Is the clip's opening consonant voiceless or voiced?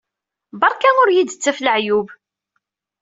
voiced